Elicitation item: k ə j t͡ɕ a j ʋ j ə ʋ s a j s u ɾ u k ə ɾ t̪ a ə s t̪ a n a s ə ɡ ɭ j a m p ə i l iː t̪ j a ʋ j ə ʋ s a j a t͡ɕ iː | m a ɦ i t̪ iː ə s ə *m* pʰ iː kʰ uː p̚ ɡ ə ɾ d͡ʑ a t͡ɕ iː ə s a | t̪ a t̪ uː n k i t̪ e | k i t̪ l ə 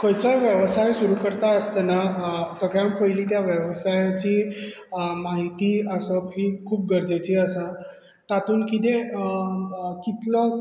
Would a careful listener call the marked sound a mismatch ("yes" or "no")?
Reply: yes